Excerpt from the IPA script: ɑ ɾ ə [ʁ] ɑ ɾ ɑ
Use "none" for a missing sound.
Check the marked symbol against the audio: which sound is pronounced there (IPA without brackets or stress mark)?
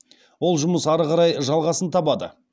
ʁ